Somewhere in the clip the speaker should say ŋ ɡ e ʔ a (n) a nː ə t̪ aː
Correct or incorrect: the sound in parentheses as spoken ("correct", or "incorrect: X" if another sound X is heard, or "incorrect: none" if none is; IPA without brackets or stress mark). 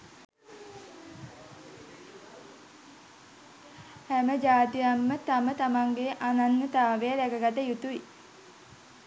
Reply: correct